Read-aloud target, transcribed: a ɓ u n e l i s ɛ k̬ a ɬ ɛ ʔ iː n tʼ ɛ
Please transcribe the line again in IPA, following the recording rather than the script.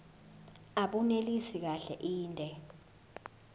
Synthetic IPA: a ɓ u n e l i s i k̬ a ɬ ɛ ʔ iː n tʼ ɛ